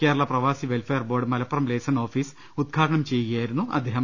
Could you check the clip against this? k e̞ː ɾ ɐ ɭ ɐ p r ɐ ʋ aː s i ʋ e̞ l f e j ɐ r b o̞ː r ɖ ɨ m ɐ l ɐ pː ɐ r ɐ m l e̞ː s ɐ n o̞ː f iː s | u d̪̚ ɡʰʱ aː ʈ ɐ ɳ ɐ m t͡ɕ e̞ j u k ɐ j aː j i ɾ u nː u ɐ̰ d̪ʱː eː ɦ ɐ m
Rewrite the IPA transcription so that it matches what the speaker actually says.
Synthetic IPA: k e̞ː ɾ ɐ ɭ ɐ p r ɐ ʋ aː s i ʋ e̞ l f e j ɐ r b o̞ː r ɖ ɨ m ɐ l ɐ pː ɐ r ɐ m l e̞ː s ɐ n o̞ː f iː s | u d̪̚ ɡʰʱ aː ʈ ɐ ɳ ɐ m t͡ɕ e̞ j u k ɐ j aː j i ɾ u nː u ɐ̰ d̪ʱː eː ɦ ɐ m